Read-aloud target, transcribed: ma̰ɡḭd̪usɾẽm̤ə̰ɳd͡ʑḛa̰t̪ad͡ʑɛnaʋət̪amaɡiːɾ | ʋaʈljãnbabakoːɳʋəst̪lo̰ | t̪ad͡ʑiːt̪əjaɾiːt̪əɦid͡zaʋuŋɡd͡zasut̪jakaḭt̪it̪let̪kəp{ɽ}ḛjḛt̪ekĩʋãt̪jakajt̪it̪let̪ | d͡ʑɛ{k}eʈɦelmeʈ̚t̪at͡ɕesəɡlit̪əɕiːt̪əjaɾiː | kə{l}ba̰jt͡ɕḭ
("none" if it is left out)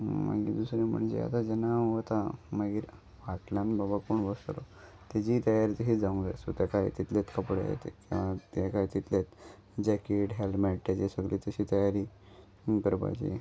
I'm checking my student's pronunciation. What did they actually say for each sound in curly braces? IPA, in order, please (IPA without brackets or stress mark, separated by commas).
ɽ, k, ɾ